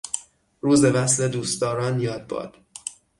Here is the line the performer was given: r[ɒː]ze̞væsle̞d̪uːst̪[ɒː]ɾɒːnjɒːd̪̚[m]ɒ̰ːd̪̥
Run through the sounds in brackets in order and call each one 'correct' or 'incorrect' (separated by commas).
incorrect, correct, incorrect